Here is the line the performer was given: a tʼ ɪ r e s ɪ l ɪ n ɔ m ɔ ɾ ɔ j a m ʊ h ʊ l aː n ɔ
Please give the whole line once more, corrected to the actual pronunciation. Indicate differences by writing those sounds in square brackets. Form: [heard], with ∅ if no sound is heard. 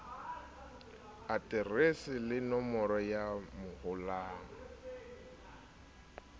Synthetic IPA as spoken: a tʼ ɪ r e s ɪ l ɪ n ɔ m ɔ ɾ ɔ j a m ʊ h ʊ l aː [ŋ] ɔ